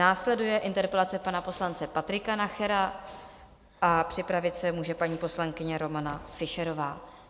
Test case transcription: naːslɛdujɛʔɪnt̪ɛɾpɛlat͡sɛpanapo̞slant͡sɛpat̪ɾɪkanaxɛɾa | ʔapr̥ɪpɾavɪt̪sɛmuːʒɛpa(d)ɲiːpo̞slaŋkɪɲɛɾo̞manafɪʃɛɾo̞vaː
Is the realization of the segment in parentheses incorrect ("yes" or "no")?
yes